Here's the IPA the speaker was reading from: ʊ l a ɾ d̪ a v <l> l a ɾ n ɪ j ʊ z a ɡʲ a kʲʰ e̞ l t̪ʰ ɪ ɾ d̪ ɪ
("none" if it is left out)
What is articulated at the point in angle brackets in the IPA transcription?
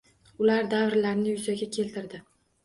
ɾ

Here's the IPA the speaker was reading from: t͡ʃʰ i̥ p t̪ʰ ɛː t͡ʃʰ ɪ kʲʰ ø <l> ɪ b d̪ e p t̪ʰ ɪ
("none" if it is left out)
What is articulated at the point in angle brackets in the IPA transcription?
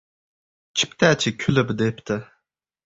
l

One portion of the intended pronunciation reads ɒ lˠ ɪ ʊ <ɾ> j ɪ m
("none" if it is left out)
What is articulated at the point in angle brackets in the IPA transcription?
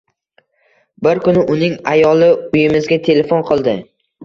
none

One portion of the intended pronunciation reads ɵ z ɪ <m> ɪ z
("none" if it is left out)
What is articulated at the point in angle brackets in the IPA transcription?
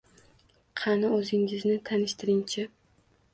ŋ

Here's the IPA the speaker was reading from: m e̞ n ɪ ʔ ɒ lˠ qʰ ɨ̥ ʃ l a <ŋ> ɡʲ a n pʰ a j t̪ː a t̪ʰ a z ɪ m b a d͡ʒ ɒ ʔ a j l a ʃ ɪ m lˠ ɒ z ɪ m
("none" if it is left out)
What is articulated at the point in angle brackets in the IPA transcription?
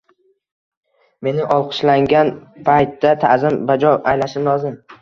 ŋ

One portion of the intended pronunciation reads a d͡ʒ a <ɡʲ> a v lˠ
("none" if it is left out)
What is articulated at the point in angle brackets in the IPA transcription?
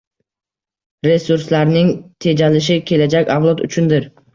kʲ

